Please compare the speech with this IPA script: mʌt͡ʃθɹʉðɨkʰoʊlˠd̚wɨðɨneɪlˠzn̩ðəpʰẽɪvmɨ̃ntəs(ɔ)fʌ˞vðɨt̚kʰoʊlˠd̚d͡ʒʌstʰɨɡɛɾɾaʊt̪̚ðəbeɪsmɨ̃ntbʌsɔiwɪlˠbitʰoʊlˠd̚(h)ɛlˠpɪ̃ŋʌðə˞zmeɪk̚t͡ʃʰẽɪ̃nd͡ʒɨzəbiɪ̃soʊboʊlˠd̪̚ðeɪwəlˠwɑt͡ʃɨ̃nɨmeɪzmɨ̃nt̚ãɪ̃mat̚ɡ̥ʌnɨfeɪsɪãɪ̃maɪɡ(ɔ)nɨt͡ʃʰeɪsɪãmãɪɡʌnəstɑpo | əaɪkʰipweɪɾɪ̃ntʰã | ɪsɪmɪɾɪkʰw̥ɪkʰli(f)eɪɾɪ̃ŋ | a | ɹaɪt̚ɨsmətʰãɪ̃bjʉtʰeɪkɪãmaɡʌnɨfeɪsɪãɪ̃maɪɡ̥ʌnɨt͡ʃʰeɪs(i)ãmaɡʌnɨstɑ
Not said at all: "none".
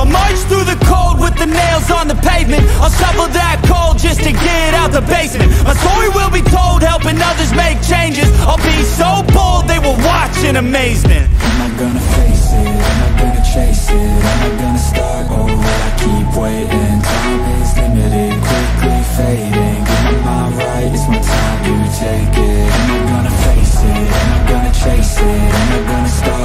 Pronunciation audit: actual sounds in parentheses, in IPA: ʌ, h, ʌ, f, ɪ

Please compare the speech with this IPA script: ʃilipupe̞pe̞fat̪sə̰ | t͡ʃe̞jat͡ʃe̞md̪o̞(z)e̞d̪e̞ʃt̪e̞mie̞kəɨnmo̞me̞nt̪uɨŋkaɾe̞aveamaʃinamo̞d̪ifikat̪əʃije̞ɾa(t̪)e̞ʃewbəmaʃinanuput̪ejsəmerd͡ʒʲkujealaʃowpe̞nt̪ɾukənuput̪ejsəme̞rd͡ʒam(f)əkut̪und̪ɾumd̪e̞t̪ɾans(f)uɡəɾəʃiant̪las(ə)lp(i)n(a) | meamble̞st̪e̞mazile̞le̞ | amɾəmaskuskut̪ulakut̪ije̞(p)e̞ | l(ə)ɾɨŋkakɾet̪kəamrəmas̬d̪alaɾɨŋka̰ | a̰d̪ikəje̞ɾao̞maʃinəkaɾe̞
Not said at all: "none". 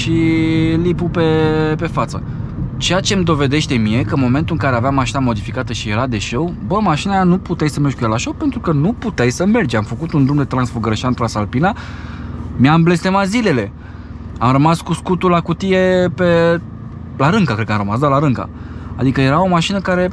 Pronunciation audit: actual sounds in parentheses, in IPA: v, d̪, f, f, a, i, a, p, a

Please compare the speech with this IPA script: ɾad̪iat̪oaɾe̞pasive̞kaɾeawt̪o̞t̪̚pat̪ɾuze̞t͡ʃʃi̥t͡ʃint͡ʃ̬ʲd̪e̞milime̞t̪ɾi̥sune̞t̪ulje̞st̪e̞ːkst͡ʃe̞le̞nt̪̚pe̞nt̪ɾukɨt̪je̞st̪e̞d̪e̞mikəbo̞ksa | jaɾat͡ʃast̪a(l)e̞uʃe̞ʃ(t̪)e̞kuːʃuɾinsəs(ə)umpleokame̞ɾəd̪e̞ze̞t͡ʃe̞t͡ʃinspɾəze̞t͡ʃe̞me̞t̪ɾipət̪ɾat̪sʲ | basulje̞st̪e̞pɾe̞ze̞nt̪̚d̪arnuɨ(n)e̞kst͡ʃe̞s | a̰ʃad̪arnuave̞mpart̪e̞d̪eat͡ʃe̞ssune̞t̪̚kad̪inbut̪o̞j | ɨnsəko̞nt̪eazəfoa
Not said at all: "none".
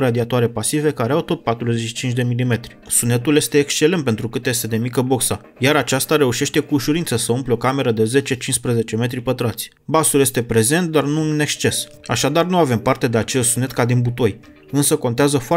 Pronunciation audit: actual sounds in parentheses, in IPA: ɾ, t̪, ə, n

